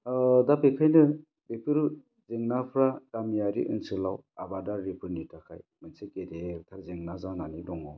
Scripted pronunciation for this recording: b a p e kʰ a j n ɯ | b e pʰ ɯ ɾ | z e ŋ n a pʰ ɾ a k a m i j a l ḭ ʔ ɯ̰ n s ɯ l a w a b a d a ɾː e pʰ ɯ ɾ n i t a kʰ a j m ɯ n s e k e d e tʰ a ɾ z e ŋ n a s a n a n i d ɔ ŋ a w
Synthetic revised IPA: d a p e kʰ a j n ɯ | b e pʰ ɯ ɾ | z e ŋ n a pʰ ɾ a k a m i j a ɾ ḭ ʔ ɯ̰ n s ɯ l a w a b a d a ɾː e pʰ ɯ ɾ n i t a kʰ a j m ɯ n s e k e d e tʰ a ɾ z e ŋ n a z a n a n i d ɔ ŋ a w